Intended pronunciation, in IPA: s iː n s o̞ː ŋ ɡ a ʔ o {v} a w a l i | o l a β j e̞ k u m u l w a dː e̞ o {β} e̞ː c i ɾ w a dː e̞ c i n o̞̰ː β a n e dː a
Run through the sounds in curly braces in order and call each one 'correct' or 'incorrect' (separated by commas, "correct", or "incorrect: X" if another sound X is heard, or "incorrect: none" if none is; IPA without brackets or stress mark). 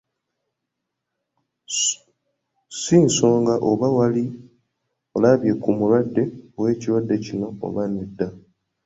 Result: incorrect: β, incorrect: w